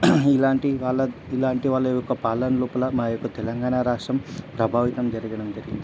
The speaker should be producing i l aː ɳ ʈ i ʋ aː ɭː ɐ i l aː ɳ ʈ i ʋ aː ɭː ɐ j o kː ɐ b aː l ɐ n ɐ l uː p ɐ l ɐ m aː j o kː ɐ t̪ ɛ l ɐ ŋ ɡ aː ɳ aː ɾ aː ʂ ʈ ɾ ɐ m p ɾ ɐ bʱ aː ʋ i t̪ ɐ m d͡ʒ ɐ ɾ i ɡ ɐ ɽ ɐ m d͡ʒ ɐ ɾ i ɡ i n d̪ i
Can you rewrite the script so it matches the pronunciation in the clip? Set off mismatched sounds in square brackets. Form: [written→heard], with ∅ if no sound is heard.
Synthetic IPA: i l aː ɳ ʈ i ʋ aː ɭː ɐ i l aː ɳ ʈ i ʋ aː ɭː ɐ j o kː ɐ [b→p] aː l ɐ n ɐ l uː p ɐ l ɐ m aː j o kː ɐ t̪ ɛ l ɐ ŋ ɡ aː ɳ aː ɾ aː ʂ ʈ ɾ ɐ m p ɾ ɐ bʱ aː ʋ i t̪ ɐ m d͡ʒ ɐ ɾ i ɡ ɐ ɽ ɐ m d͡ʒ ɐ ɾ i ɡ i n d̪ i